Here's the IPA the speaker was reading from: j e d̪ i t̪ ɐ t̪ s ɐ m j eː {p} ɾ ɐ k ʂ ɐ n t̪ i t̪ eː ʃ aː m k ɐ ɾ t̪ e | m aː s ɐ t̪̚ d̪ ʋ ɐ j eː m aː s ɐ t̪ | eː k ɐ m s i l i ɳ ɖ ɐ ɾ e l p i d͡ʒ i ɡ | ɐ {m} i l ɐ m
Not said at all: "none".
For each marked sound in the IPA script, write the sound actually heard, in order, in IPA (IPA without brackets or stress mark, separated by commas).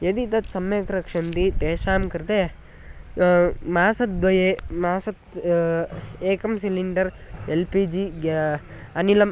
k, n